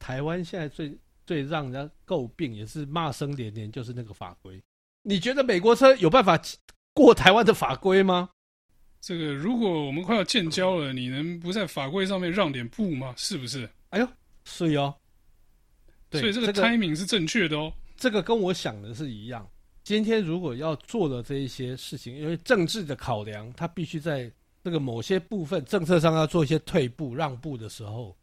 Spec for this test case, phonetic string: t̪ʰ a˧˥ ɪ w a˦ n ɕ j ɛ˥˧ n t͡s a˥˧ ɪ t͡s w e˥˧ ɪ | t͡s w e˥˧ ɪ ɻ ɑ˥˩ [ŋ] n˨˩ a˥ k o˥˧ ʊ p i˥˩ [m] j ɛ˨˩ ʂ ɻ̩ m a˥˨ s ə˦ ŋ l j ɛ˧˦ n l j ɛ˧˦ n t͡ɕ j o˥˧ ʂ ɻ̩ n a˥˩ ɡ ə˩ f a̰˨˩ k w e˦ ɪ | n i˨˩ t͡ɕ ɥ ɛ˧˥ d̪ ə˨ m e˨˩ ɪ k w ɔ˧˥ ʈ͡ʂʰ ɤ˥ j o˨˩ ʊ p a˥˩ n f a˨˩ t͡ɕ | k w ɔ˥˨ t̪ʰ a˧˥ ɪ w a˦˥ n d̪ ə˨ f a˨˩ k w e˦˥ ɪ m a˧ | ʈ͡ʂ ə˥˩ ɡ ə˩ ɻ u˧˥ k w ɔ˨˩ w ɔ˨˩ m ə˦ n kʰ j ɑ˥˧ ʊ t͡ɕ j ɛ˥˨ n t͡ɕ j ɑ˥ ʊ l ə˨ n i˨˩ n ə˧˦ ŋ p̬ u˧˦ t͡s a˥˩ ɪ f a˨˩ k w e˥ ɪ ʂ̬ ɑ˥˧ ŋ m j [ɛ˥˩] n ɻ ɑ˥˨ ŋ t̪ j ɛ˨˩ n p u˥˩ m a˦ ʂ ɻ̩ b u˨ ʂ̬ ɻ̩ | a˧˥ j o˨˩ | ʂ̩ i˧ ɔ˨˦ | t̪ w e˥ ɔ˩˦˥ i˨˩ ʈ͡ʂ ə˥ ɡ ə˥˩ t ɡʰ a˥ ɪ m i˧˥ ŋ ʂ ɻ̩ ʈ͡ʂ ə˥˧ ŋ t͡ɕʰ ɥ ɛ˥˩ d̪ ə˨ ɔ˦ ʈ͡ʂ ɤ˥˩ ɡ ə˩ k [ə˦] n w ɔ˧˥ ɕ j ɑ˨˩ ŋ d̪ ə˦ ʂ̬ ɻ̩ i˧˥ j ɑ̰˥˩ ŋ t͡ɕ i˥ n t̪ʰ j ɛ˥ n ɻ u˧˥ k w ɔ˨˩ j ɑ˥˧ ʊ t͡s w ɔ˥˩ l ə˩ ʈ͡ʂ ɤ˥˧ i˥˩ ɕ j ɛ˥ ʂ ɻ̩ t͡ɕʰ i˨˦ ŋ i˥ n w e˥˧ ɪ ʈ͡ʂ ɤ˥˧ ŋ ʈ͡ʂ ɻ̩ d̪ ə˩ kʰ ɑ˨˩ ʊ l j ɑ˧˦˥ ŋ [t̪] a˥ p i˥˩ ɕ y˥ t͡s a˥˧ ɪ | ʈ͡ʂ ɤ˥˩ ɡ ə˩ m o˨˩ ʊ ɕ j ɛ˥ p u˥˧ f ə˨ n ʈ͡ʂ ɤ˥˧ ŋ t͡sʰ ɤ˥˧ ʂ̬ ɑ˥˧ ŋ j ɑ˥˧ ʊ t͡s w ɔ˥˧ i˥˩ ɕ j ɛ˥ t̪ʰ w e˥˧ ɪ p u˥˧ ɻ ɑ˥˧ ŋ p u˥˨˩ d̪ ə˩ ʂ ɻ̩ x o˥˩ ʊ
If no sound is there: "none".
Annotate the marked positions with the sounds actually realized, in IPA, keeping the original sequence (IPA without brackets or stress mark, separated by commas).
ŋ, ŋ, ɛ˥˧, ə˦, t̪ʰ